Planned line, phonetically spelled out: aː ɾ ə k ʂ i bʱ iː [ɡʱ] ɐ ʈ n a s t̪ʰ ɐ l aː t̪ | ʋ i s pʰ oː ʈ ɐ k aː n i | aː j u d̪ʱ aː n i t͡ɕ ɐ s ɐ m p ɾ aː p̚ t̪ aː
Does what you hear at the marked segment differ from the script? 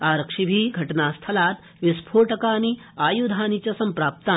no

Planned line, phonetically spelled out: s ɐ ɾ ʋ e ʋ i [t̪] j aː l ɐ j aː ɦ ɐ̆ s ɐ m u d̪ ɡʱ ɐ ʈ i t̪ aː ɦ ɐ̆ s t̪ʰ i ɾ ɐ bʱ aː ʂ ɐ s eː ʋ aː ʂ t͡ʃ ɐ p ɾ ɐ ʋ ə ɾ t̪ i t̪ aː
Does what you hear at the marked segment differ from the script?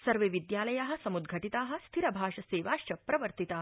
yes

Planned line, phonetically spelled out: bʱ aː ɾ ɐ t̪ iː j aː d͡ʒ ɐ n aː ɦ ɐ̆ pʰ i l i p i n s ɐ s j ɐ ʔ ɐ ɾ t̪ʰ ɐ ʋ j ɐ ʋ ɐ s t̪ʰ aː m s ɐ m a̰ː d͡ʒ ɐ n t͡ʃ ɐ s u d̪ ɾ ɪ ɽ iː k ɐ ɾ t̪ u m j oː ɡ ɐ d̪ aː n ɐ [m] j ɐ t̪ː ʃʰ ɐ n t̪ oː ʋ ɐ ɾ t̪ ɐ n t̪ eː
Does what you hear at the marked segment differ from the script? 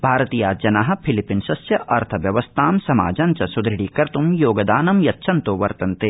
no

